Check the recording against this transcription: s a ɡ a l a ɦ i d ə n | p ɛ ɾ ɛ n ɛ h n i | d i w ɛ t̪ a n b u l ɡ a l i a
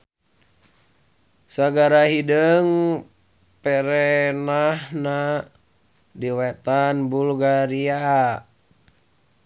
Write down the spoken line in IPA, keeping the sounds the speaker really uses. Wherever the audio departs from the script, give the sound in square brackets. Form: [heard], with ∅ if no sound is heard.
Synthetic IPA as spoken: s a ɡ a [ɾ] a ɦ i d ə [ŋ] | p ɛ ɾ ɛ n [a] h n [a] | d i w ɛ t̪ a n b u l ɡ a [ɾ] i a